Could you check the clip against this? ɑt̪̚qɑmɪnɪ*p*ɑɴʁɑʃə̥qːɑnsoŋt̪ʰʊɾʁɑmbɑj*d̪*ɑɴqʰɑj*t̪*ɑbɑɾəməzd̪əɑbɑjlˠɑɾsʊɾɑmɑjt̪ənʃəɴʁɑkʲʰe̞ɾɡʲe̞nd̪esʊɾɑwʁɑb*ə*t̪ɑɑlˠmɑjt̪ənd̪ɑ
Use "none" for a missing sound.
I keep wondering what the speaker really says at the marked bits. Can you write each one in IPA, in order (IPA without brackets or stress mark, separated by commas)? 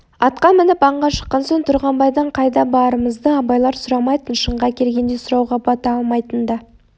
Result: p, d̪, d̪, ɑ